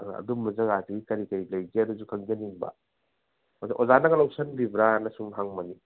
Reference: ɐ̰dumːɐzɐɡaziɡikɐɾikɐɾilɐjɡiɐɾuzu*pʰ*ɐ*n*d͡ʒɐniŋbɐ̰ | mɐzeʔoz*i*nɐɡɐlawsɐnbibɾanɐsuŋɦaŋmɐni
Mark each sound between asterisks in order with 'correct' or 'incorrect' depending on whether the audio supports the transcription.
incorrect: kʰ, incorrect: ŋ, incorrect: a

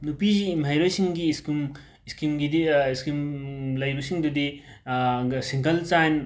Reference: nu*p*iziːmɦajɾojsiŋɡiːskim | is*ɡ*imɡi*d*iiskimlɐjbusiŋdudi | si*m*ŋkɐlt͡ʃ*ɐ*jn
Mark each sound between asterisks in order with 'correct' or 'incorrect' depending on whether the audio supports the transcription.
correct, incorrect: k, correct, incorrect: none, incorrect: a

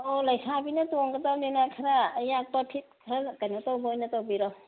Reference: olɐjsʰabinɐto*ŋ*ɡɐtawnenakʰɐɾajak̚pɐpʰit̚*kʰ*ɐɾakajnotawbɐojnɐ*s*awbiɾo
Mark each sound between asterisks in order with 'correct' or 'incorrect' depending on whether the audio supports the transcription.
correct, correct, incorrect: t

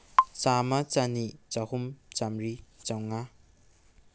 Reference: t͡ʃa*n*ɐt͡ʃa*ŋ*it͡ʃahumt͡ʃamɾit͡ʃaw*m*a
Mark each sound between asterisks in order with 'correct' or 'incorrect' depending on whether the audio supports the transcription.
incorrect: m, incorrect: n, incorrect: ŋ

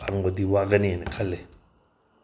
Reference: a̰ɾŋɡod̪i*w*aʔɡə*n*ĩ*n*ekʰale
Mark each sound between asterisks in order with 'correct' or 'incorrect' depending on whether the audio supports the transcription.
correct, correct, correct

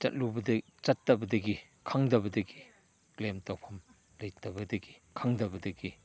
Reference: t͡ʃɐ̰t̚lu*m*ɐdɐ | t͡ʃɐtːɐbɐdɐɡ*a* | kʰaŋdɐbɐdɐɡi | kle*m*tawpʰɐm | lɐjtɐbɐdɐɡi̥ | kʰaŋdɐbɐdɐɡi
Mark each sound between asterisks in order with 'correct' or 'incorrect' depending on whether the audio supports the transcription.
incorrect: b, incorrect: i, correct

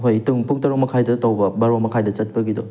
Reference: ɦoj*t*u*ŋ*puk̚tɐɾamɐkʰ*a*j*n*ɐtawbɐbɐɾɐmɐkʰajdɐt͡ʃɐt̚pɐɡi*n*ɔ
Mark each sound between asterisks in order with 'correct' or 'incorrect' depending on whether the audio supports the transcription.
correct, correct, correct, incorrect: d, incorrect: d

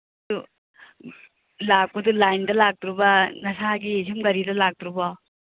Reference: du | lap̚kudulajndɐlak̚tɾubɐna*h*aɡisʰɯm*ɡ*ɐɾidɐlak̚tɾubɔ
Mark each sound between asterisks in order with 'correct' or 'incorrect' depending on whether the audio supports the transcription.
incorrect: s, correct

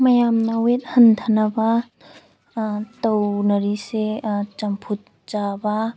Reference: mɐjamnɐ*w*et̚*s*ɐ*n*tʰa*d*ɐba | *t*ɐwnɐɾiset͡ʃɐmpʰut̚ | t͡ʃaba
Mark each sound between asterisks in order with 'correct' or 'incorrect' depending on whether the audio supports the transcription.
correct, incorrect: h, correct, incorrect: n, correct

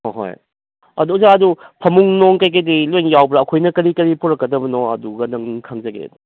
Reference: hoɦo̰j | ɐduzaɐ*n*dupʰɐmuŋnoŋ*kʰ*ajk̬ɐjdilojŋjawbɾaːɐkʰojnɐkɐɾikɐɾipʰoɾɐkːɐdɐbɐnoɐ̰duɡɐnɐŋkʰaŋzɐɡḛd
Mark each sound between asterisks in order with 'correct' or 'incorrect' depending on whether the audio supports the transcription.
incorrect: none, incorrect: k

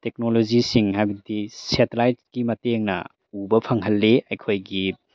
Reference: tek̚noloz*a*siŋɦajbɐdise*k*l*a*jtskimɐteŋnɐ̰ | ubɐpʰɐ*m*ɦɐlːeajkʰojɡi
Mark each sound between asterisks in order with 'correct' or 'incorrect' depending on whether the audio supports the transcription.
incorrect: i, incorrect: t, correct, incorrect: ŋ

